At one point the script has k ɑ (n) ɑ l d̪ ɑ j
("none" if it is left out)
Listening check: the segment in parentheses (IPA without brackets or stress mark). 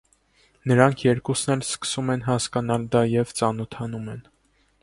n